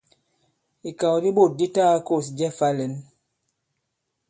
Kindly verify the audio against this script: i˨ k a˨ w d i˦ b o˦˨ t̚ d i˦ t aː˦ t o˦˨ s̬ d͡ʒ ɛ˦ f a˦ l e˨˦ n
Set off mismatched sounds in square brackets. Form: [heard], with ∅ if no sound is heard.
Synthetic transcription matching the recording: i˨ k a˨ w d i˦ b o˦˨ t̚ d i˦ t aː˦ [k] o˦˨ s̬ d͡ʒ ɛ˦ f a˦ l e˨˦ n